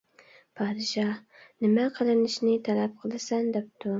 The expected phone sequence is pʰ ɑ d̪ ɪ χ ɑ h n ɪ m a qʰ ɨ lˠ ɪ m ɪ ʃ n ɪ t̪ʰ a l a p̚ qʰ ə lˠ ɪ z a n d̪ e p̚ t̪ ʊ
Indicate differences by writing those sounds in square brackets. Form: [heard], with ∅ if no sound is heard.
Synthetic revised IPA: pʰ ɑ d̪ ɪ [ʃ] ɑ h n ɪ m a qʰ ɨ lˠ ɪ [n] ɪ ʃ n ɪ t̪ʰ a l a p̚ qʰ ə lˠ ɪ [s] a n d̪ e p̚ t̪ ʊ